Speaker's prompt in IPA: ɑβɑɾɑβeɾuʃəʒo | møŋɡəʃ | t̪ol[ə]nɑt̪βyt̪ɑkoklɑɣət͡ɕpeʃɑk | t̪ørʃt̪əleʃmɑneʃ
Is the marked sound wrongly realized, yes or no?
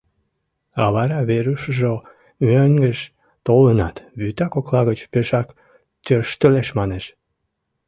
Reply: no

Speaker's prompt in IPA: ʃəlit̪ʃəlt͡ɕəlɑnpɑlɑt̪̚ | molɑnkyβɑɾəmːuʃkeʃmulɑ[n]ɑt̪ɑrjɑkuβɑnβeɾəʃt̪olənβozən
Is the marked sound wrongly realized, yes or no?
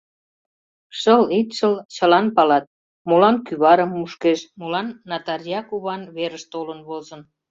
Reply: yes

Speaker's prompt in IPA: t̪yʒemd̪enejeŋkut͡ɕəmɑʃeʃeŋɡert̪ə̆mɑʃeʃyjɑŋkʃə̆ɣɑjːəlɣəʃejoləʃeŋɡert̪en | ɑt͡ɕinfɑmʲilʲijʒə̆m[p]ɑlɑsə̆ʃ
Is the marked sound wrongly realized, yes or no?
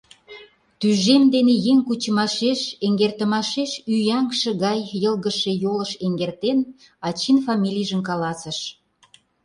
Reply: yes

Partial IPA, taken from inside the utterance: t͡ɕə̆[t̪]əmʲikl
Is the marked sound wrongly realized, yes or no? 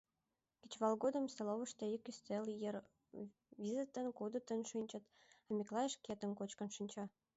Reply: no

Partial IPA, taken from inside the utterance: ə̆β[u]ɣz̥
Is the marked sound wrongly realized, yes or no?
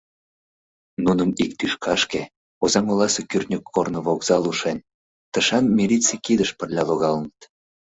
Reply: yes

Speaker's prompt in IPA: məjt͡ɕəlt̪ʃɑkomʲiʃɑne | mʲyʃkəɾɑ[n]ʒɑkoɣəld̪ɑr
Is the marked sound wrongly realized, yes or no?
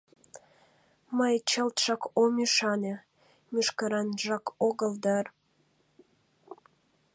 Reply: no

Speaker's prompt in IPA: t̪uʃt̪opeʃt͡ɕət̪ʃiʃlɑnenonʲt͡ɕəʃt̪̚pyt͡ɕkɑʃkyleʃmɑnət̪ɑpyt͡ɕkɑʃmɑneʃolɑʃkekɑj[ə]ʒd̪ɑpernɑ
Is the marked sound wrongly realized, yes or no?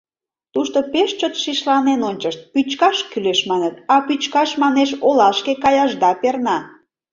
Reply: yes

